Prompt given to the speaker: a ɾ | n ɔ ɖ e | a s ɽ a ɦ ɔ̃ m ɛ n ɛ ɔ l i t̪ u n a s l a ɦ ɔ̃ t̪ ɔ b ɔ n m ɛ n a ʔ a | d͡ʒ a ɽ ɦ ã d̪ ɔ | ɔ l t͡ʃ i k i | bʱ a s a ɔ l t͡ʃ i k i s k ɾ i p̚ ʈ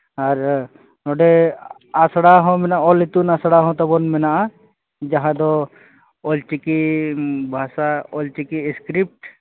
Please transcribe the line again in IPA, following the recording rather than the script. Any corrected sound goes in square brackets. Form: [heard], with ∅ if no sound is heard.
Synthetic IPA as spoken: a ɾ | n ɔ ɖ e | a s ɽ a ɦ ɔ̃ m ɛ n [a] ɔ l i t̪ u n a s [ɽ] a ɦ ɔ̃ t̪ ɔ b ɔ n m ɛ n a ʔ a | d͡ʒ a [∅] ɦ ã d̪ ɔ | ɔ l t͡ʃ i k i | bʱ a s a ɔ l t͡ʃ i k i s k ɾ i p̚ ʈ